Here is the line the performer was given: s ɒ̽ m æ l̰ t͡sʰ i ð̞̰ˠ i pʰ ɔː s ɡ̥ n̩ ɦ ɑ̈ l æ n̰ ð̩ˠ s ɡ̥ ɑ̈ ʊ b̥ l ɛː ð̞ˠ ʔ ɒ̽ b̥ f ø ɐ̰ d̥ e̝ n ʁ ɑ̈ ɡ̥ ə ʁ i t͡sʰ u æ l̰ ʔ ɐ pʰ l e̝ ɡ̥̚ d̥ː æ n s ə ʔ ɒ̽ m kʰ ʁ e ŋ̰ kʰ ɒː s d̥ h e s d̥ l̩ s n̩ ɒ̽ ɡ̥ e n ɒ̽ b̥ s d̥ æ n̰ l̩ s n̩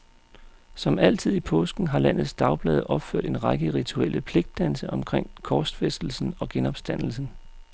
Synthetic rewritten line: s ɒ̽ m æ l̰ t͡sʰ i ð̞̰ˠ i pʰ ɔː s ɡ̥ n̩ ɦ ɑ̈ l æ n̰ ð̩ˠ s d̥ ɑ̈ ʊ b̥ l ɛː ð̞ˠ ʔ ɒ̽ b̥ f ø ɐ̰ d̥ e̝ n ʁ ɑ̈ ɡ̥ ə ʁ i t͡sʰ u e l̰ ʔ ə pʰ l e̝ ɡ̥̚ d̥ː æ n s ə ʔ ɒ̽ m kʰ ʁ e ŋ̰ kʰ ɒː s d̥ f e s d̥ l̩ s n̩ ɒ̽ ɡ̥ e n ɒ̽ b̥ s d̥ æ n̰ l̩ s n̩